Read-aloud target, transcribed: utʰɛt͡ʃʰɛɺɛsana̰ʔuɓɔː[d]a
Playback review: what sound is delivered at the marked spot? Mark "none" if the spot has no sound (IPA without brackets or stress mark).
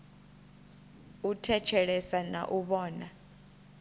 n